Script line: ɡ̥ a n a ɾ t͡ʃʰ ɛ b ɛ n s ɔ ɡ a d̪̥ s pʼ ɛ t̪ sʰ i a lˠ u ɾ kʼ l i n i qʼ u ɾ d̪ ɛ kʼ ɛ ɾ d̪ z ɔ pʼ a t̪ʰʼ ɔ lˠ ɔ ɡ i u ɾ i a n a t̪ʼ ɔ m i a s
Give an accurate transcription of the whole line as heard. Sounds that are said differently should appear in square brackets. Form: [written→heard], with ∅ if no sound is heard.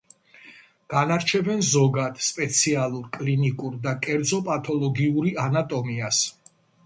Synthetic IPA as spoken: ɡ̥ a n a ɾ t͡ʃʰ ɛ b ɛ n [s→z] ɔ ɡ a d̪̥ s pʼ ɛ t̪ sʰ i a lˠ u ɾ kʼ l i n i [qʼ→kʼ] u ɾ d̪ [ɛ→a] kʼ ɛ ɾ d̪ z ɔ pʼ a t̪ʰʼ ɔ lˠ ɔ ɡ i u ɾ i a n a t̪ʼ ɔ m i a s